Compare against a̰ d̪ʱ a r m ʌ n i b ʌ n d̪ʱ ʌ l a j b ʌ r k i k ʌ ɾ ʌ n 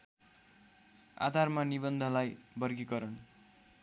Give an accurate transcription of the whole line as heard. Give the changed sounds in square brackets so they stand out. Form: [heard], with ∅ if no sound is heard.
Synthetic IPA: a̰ d̪ʱ a r m [a] n i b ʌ n d̪ʱ ʌ l a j b ʌ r [ɡ] i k ʌ ɾ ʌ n